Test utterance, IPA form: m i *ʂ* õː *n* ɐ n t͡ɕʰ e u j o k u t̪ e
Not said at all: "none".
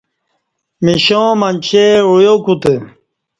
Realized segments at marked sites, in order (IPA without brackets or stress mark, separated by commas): ɕ, m